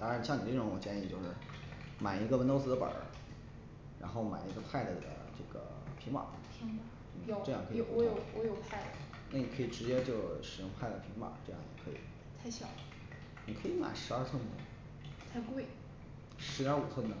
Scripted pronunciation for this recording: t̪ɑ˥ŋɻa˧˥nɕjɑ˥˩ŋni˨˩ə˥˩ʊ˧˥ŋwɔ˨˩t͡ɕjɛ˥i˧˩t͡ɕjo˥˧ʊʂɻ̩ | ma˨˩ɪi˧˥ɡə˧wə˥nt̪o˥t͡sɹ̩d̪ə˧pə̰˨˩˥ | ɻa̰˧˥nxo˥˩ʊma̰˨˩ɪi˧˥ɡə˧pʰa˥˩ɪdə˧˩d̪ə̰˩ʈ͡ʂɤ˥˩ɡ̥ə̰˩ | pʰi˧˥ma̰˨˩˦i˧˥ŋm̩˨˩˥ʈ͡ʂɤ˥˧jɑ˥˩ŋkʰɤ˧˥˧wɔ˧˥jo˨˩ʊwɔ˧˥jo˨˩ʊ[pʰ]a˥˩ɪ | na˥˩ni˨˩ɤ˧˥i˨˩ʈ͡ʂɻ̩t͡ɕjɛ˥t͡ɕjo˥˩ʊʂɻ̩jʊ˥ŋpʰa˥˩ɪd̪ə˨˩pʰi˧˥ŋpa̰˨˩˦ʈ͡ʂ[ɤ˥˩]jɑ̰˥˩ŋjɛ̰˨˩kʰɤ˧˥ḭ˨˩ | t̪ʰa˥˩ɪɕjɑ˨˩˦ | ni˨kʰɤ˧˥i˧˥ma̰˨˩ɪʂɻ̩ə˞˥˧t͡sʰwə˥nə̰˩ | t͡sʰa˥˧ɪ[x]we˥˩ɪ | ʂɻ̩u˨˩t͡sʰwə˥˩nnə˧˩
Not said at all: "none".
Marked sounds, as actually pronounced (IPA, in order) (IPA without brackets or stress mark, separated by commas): pʰ, ɤ˥˧, k